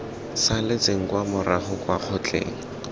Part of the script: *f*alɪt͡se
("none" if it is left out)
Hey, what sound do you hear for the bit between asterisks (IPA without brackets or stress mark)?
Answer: s